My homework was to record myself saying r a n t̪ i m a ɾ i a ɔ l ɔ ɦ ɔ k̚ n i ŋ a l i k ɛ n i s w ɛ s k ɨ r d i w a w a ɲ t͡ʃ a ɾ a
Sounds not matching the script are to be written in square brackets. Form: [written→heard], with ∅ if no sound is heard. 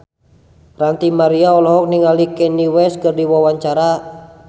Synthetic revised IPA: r a n t̪ i m a ɾ i a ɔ l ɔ ɦ ɔ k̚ n i ŋ a l i k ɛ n i [s→∅] w ɛ s k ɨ r d i w a w a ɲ t͡ʃ a ɾ a